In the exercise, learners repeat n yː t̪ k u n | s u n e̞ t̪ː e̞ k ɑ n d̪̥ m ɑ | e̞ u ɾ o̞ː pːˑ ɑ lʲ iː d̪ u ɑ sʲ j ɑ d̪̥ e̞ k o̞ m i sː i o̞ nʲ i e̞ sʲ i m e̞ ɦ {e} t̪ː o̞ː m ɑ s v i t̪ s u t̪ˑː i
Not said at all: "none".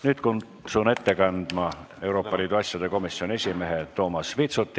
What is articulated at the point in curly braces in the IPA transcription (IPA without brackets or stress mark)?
e